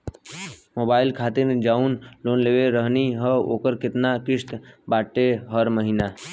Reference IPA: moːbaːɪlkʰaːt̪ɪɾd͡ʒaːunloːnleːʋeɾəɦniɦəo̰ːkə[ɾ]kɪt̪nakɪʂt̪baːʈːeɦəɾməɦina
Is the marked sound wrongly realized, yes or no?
no